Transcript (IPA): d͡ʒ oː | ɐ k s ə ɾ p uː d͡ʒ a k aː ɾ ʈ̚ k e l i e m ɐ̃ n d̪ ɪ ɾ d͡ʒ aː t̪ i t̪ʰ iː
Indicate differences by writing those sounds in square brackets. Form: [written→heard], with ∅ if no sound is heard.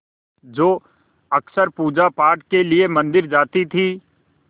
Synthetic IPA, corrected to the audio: d͡ʒ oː | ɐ k s ə ɾ p uː d͡ʒ a [k→p] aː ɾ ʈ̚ k e l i e m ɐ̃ n d̪ ɪ ɾ d͡ʒ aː t̪ i t̪ʰ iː